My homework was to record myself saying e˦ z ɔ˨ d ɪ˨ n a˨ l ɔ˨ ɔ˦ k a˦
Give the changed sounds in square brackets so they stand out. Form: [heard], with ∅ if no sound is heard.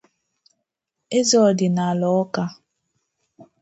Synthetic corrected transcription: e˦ z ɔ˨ d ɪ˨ n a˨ l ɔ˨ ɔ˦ k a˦